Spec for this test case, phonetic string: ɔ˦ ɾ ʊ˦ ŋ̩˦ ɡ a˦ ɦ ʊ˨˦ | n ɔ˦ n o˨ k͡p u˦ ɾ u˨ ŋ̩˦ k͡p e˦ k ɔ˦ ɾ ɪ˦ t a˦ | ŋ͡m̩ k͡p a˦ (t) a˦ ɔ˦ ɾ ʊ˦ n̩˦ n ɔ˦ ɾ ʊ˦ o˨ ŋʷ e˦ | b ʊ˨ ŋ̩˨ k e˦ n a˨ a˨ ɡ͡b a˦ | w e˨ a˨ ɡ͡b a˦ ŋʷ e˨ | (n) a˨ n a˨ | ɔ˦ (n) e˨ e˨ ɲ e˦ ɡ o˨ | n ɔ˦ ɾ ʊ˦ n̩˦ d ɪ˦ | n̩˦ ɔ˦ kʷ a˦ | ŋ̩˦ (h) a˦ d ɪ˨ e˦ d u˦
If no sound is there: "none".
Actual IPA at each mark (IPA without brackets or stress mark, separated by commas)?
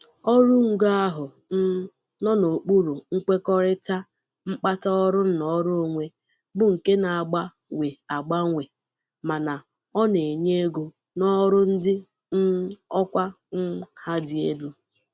t, m, n, h